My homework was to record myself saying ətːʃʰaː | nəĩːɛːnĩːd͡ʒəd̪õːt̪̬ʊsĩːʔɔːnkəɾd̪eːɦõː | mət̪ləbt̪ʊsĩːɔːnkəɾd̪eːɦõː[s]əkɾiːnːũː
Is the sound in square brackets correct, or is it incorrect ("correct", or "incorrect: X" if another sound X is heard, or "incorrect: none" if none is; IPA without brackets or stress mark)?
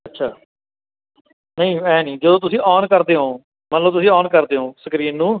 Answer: correct